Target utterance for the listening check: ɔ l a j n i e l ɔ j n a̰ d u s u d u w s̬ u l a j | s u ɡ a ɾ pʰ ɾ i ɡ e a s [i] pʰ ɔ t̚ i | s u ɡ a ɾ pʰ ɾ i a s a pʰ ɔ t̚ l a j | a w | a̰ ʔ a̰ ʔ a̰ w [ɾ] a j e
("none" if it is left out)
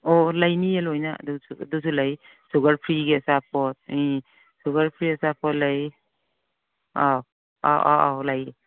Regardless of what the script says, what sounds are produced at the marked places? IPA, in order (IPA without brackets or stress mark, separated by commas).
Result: a, l